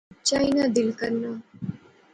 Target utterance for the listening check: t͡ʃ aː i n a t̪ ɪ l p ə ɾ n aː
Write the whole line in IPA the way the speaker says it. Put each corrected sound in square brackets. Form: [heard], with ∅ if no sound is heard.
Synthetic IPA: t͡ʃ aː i n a [d̪] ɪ l [k] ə ɾ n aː

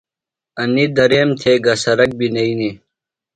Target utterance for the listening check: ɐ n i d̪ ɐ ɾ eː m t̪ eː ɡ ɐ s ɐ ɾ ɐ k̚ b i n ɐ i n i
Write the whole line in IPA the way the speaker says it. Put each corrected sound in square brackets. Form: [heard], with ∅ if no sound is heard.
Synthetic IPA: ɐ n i d̪ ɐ ɾ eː m [t̪ʰ] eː ɡ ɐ s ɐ ɾ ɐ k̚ b i n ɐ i n i

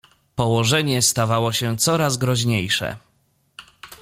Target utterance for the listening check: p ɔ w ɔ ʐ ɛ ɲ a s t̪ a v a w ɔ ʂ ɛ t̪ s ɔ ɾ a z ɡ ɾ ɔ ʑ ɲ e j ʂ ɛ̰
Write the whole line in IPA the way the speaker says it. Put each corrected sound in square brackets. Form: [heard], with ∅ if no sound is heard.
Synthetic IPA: p ɔ w ɔ ʐ ɛ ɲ [ɛ] s t̪ a v a w ɔ [ɕ] ɛ t̪ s ɔ ɾ a z ɡ ɾ ɔ ʑ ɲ e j ʂ ɛ̰

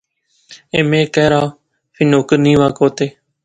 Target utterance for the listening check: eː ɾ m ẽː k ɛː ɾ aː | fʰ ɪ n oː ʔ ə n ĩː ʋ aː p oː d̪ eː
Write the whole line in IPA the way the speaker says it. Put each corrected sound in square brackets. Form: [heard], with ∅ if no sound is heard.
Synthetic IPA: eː [∅] m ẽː k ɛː ɾ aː | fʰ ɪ n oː [k] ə n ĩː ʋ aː [k] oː [t̪] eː

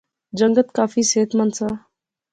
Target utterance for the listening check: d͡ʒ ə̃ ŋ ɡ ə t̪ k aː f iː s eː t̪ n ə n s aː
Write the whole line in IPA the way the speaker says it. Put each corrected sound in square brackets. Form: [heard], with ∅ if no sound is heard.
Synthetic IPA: d͡ʒ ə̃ ŋ ɡ ə t̪ k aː f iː s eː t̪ [m] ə n s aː

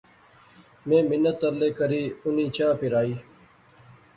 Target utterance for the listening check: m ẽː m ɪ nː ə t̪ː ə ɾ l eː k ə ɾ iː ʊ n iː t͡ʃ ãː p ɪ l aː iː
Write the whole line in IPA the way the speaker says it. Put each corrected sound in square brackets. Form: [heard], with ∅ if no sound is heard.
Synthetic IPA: m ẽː m ɪ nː ə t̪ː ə ɾ l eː k ə ɾ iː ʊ n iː t͡ʃ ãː p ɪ [ɾ] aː iː

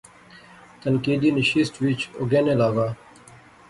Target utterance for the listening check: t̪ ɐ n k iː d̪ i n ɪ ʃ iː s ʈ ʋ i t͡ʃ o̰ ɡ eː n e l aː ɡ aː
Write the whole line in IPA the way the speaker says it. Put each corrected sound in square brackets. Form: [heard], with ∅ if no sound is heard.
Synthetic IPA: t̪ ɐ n k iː d̪ i n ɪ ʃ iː s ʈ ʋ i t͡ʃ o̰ ɡ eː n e l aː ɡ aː

